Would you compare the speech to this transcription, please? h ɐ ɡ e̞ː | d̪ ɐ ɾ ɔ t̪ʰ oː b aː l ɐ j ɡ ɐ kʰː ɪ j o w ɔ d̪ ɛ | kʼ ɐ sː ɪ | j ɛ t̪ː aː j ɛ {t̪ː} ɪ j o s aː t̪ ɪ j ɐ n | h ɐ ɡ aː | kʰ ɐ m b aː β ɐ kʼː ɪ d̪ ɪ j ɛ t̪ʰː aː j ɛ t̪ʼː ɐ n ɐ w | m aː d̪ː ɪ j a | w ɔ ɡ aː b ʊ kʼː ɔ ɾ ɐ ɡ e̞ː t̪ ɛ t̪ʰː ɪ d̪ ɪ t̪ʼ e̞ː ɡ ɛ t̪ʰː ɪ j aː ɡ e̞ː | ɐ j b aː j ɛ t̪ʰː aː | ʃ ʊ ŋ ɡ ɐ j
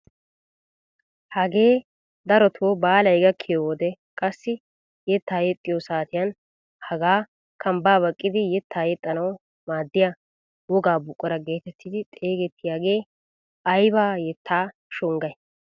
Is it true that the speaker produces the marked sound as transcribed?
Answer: no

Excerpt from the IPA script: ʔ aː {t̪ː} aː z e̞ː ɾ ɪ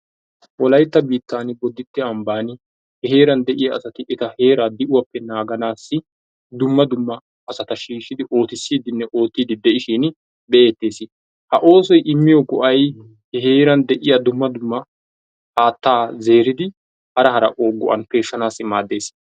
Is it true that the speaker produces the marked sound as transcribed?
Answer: yes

